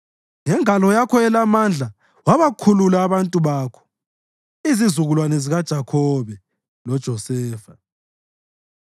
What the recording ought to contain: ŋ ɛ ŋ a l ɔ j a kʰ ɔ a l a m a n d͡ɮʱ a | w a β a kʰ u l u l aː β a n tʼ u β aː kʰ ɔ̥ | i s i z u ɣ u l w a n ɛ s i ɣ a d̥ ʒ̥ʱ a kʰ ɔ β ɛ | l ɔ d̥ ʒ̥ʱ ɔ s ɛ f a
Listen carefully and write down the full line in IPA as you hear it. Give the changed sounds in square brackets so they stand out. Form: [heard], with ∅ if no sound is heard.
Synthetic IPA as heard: ŋ ɛ ŋ a l ɔ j a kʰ ɔ [ɛ] l a m a n d͡ɮʱ a | w a β a kʰ u l u l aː β a n tʼ u β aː kʰ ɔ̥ | i [z] i z u ɣ u l w a n ɛ [z] i ɣ a d̥ ʒ̥ʱ a kʰ ɔ β ɛ | l ɔ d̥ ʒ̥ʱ ɔ s [ɛː] f a